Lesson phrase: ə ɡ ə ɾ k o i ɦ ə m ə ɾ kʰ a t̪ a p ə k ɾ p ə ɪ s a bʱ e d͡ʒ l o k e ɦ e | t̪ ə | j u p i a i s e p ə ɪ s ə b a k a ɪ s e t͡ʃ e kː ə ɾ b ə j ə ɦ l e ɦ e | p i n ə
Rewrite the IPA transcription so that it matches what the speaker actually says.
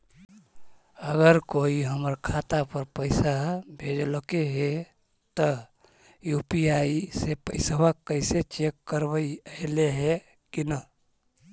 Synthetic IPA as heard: ə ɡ ə ɾ k o i ɦ ə m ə ɾ kʰ a t̪ a p ə ɾ p ə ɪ s a bʱ e d͡ʒ l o k e ɦ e | t̪ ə | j u p i a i s e p ə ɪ s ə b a k ə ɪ s e t͡ʃ e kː ə ɾ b ə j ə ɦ l e ɦ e | k i n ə